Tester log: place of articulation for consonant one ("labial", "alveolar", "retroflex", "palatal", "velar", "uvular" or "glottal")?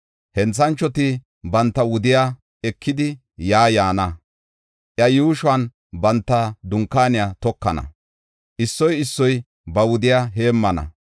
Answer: glottal